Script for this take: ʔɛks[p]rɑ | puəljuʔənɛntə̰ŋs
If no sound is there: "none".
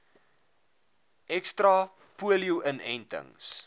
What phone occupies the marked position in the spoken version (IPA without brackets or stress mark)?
t